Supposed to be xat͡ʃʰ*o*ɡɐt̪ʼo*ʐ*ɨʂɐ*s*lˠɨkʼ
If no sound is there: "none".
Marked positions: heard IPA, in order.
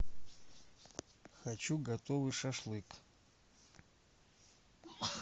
u, v, ʂ

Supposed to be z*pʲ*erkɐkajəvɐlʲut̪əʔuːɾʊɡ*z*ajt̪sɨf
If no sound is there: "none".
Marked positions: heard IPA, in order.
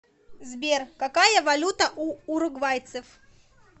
bʲ, v

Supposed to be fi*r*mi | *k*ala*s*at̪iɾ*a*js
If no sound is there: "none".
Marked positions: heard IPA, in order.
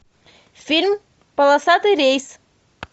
l, p, s, e

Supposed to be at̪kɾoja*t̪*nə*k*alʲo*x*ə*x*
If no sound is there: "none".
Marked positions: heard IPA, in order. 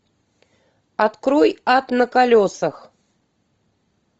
t̪, k, s, x

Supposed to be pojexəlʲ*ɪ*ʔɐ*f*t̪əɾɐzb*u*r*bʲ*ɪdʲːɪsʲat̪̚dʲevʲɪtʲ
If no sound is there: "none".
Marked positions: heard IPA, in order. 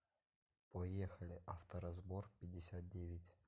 ɪ, f, o, pʲ

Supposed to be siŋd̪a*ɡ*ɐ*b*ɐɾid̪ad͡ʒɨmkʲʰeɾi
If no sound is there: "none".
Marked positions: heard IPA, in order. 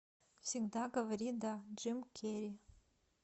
ɡ, v

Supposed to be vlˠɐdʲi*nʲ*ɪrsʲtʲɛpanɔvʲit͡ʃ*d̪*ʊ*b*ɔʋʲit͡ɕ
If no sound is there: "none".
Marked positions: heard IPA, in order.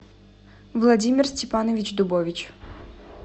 mʲ, d̪, b

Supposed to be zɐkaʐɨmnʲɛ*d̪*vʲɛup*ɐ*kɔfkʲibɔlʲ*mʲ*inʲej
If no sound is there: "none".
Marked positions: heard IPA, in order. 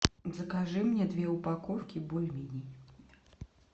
d̪, a, mʲ

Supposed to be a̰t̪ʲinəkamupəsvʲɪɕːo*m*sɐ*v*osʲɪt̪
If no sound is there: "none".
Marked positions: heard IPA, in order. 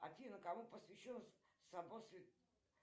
n, b

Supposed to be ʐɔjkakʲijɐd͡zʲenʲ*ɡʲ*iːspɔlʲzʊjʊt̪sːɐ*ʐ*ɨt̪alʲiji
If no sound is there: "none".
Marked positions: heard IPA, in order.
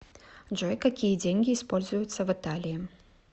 ɡʲ, v

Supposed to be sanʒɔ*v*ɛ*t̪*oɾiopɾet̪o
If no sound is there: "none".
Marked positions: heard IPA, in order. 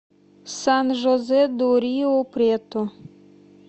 z, d̪

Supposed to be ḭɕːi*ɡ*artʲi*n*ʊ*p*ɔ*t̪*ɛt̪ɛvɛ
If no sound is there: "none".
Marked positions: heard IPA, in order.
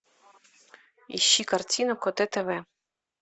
k, n, k, t̪

